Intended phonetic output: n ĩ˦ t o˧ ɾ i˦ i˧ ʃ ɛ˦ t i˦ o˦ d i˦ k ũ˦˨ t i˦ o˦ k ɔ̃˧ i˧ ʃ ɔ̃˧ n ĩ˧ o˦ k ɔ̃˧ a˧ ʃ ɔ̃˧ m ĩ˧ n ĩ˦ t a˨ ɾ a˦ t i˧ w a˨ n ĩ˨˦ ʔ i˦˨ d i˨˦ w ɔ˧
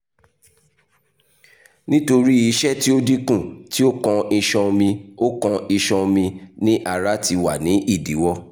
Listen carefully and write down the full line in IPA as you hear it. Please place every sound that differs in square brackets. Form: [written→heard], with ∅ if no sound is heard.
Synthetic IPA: n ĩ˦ t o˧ ɾ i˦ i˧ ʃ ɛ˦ t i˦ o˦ d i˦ k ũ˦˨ t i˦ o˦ k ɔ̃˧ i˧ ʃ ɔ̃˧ [n→m] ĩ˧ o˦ k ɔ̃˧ [a˧→i˧] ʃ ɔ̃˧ m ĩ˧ n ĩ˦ [t→ʔ] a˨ ɾ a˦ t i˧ w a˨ n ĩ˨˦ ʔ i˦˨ d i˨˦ w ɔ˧